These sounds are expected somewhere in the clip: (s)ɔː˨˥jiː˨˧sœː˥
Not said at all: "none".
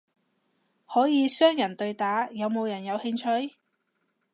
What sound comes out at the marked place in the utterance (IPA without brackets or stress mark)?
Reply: h